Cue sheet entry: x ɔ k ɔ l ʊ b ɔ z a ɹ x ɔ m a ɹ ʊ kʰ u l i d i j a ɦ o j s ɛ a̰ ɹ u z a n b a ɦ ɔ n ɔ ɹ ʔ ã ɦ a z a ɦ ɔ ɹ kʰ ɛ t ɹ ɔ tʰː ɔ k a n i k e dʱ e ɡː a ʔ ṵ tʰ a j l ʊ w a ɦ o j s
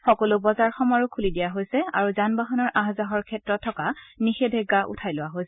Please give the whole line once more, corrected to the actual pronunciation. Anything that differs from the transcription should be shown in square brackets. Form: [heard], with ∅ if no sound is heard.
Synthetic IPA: x ɔ k ɔ l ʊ b ɔ z a ɹ x ɔ m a ɹ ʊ kʰ u l i d i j a ɦ o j s ɛ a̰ ɹ u z a n b a ɦ ɔ n ɔ ɹ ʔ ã ɦ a z a ɦ ɔ ɹ kʰ ɛ t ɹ ɔ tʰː ɔ k a n i [x] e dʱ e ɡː a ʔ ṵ tʰ a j l ʊ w a ɦ o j s